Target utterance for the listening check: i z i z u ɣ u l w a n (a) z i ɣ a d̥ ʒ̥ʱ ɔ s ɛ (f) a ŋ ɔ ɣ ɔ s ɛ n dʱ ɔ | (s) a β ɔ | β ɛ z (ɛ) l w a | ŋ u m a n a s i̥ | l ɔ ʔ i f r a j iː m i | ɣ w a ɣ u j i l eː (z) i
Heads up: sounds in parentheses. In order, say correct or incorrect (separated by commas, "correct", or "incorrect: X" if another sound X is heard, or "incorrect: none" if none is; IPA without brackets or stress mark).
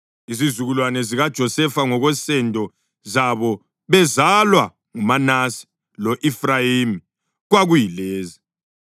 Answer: incorrect: ɛ, correct, incorrect: z, incorrect: a, correct